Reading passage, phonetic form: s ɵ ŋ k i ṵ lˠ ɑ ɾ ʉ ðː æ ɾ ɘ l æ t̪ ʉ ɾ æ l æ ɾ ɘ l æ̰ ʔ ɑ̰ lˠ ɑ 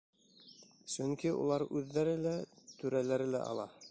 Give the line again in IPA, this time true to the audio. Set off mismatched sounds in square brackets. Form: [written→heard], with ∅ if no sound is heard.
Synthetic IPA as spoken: s ɵ ŋ k i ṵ lˠ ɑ ɾ ʉ ðː æ ɾ ɘ l æ t̪ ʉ ɾ æ l æ ɾ ɘ l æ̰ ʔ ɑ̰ lˠ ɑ

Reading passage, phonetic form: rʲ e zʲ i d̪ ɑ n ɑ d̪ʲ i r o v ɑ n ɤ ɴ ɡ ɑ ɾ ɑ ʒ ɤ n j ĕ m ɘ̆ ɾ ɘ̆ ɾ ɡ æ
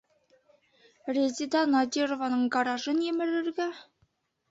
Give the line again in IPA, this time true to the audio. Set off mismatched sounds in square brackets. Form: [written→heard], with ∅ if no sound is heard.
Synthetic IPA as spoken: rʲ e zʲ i d̪ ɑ n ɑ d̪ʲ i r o v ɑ n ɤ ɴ ɡ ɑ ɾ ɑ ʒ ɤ n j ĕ m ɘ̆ ɾ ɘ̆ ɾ ɡ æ

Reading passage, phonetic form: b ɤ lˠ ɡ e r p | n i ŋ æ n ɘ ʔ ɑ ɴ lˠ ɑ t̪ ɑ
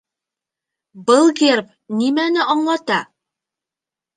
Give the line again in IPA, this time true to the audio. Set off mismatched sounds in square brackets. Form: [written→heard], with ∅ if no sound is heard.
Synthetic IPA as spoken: b ɤ lˠ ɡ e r p | n i [ŋ→m] æ n ɘ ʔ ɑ ɴ lˠ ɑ t̪ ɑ

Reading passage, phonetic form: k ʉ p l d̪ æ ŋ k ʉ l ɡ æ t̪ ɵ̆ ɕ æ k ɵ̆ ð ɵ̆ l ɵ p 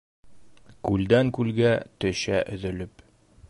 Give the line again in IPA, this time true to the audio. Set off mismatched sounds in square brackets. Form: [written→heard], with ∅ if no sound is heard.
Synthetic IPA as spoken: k ʉ [p→∅] l d̪ æ ŋ k ʉ l ɡ æ t̪ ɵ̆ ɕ æ [k→ʔ] ɵ̆ ð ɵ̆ l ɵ p

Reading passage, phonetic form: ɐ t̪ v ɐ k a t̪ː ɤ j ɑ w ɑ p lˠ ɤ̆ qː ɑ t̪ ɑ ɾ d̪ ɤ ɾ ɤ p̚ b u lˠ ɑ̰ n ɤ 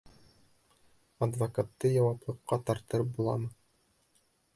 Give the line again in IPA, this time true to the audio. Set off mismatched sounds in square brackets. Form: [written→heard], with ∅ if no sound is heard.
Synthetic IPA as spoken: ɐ [t̪→d̪] v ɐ k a t̪ː ɤ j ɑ w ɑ p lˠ ɤ̆ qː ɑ t̪ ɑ ɾ [d̪→t̪] ɤ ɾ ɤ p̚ b u lˠ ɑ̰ [n→m] ɤ

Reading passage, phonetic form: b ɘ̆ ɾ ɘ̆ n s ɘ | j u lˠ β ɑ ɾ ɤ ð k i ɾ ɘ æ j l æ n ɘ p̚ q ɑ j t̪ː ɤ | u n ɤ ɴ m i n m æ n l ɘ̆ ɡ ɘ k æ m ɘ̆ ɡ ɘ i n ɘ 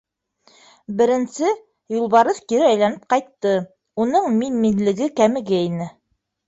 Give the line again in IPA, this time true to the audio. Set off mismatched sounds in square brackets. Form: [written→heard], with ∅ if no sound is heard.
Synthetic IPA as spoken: b ɘ̆ ɾ ɘ̆ n s ɘ | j u lˠ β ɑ ɾ ɤ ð k i ɾ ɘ æ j l æ n ɘ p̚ q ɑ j t̪ː ɤ | u n ɤ ɴ m i n m [æ→i] n l ɘ̆ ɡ ɘ k æ m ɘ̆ ɡ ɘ i n ɘ

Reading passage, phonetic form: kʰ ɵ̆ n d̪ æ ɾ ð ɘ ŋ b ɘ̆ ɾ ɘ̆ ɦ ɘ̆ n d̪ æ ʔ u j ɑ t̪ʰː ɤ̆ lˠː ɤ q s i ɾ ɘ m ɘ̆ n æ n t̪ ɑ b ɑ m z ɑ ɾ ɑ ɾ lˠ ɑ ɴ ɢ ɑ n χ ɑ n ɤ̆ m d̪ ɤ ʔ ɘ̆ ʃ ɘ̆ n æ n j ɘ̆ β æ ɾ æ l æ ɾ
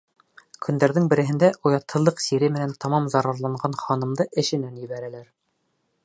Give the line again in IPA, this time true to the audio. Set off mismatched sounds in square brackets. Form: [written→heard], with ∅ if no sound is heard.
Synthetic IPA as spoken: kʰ ɵ̆ n d̪ æ ɾ ð ɘ ŋ b ɘ̆ ɾ ɘ̆ ɦ ɘ̆ n d̪ æ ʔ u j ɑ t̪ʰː ɤ̆ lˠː ɤ q s i ɾ ɘ m ɘ̆ n æ n t̪ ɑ [b→m] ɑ m z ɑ ɾ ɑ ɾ lˠ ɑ ɴ ɢ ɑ n χ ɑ n ɤ̆ m d̪ ɤ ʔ ɘ̆ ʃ ɘ̆ n æ n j ɘ̆ β æ ɾ æ l æ ɾ

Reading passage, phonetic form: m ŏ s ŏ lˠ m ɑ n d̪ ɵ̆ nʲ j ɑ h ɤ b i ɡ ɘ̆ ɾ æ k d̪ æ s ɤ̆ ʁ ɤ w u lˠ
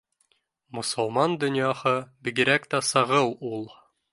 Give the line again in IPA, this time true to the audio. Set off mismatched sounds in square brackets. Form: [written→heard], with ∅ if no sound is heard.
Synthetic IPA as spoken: m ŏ s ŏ lˠ m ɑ n d̪ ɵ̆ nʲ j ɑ h ɤ b i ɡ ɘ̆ ɾ æ k [d̪→t̪] æ s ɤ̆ ʁ ɤ w u lˠ

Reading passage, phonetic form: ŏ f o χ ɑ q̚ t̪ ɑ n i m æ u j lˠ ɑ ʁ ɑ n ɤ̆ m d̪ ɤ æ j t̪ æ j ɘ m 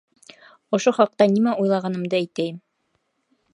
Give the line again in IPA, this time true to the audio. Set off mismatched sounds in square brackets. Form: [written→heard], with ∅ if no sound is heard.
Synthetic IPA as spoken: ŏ [f→ʃ] o χ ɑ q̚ t̪ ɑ n i m æ u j lˠ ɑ ʁ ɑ n ɤ̆ m d̪ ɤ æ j t̪ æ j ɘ m

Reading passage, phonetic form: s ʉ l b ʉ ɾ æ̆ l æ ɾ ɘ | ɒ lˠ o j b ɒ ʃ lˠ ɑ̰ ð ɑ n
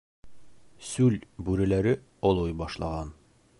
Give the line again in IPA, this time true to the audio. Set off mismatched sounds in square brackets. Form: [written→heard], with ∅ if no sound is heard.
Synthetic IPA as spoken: s ʉ l b ʉ ɾ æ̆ l æ ɾ ɘ | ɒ lˠ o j b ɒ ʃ lˠ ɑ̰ [ð→ʁ] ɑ n

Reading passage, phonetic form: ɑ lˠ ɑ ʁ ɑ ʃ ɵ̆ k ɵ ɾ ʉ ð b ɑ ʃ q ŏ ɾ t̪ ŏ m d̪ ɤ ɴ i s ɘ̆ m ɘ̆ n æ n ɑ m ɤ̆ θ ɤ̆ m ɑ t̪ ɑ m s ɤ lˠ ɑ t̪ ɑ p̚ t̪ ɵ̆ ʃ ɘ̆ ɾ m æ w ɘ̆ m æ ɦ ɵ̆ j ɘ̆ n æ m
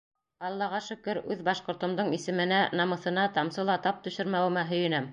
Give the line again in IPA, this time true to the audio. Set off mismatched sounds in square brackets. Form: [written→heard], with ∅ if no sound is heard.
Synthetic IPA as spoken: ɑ [lˠ→lˠː] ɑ ʁ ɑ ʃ ɵ̆ k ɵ ɾ ʉ ð b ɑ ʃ q ŏ ɾ t̪ ŏ m d̪ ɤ ɴ i s ɘ̆ m ɘ̆ n æ n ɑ m ɤ̆ θ ɤ̆ [m→n] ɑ t̪ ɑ m s ɤ lˠ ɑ t̪ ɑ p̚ t̪ ɵ̆ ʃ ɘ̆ ɾ m æ w ɘ̆ m æ ɦ ɵ̆ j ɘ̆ n æ m

